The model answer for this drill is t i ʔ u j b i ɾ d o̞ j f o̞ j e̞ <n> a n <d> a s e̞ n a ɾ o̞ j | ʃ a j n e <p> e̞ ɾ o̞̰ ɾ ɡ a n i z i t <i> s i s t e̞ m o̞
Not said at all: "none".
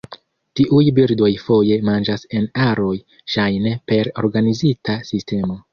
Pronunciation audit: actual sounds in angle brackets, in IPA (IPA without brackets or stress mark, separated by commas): m, d͡ʒ, p, a